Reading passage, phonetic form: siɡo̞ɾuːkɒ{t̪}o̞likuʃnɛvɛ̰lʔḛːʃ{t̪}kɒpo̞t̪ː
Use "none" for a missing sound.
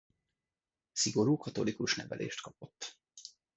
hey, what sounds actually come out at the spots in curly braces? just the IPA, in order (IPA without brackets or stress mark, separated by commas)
t̪, t̪